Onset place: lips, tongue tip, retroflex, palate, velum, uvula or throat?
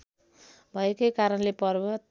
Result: lips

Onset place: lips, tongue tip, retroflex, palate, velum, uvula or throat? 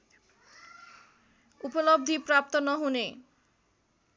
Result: lips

